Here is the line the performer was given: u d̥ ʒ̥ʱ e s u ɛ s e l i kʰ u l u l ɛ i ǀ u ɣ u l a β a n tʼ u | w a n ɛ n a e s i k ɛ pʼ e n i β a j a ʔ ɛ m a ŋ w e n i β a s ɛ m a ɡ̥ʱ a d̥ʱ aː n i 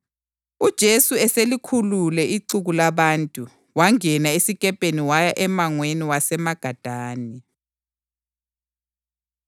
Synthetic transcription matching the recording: u d̥ ʒ̥ʱ e s u ɛ s e l i kʰ u l u l ɛ i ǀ u ɣ u l a β a n tʼ u | w a ŋ ɛ n a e s i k ɛ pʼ e n i w a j a ʔ ɛ m a ŋ w e n i w a s ɛ m a ɡ̥ʱ a d̥ʱ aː n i